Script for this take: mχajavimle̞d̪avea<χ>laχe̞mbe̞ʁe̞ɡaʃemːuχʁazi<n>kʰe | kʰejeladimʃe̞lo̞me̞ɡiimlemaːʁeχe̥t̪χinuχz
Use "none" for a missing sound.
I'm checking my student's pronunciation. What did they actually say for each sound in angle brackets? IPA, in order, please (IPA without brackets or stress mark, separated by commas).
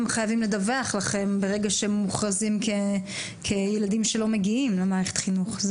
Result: χ, m